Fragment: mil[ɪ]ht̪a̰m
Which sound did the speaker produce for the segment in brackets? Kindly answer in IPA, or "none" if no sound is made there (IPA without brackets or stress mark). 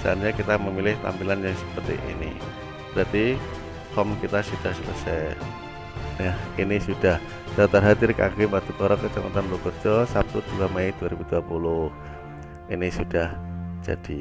ɪ